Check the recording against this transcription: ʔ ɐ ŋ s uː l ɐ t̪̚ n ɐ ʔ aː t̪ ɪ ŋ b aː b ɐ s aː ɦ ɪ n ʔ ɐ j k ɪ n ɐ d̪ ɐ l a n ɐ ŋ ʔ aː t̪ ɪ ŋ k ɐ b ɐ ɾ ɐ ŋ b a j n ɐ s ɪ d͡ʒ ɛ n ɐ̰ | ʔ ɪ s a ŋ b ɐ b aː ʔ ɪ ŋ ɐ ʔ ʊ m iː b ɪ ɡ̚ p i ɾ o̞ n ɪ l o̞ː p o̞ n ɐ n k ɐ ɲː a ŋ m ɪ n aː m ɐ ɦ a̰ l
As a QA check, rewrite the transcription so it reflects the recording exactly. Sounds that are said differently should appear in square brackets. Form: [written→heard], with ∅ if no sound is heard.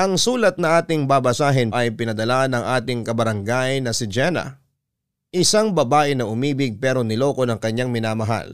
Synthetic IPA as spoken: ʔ ɐ ŋ s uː l ɐ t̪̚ n ɐ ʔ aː t̪ ɪ ŋ b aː b ɐ s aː ɦ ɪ n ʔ ɐ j [k→p] ɪ n ɐ d̪ ɐ l a n ɐ ŋ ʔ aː t̪ ɪ ŋ k ɐ b ɐ ɾ ɐ ŋ [b→ɡ] a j n ɐ s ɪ d͡ʒ ɛ n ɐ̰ | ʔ ɪ s a ŋ b ɐ b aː ʔ ɪ [ŋ→n] ɐ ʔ ʊ m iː b ɪ ɡ̚ p [i→ɛ] ɾ o̞ n ɪ l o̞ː [p→k] o̞ n ɐ [n→ŋ] k ɐ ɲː a ŋ m ɪ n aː m ɐ ɦ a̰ l